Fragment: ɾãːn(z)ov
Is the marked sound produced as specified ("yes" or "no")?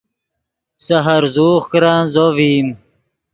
yes